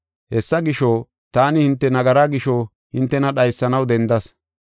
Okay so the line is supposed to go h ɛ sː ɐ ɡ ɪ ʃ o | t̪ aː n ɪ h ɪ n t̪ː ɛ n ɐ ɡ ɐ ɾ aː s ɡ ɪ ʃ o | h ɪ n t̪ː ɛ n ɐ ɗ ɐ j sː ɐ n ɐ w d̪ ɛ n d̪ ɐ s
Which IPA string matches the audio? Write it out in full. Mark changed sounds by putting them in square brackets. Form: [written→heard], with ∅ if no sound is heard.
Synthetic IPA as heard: h ɛ sː ɐ ɡ ɪ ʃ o | t̪ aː n ɪ h ɪ n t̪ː ɛ n ɐ ɡ ɐ ɾ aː [s→∅] ɡ ɪ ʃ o | h ɪ n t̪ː ɛ n ɐ ɗ ɐ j sː ɐ n ɐ w d̪ ɛ n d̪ ɐ s